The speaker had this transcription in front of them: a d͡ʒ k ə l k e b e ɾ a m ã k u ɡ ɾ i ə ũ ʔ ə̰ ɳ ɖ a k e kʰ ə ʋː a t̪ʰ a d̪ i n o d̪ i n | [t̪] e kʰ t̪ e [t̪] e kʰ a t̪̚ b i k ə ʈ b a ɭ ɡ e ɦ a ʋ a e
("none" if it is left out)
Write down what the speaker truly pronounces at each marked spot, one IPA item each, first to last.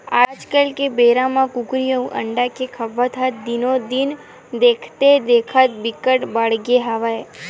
d̪, d̪

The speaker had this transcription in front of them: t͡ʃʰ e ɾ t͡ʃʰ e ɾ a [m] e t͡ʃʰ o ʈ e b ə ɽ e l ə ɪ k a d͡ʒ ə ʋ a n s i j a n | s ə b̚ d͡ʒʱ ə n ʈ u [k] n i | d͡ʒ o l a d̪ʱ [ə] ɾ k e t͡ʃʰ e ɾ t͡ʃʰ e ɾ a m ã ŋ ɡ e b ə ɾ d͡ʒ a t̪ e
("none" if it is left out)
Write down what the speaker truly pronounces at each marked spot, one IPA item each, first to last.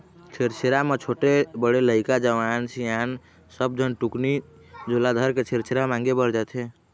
m, k, ə

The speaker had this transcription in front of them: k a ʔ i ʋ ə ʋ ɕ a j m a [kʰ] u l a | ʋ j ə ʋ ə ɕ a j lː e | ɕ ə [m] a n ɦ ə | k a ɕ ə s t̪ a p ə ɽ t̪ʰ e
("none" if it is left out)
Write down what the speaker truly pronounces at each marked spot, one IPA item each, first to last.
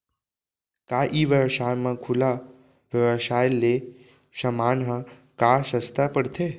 kʰ, m

